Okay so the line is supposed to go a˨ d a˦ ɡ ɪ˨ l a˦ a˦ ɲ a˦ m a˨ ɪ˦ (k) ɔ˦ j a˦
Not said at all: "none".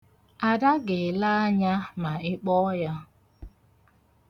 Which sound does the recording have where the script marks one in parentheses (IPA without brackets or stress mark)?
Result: k͡p